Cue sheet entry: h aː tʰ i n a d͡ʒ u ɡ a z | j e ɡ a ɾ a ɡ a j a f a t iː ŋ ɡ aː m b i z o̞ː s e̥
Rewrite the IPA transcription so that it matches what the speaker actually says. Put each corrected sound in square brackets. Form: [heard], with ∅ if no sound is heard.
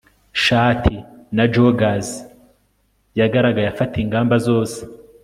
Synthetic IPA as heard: [ʃ] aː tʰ i n a d͡ʒ [o] ɡ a z | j [a] ɡ a ɾ a ɡ a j a f a t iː ŋ ɡ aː m b [a] z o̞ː s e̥